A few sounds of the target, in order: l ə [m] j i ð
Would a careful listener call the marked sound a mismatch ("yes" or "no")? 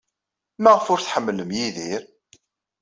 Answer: no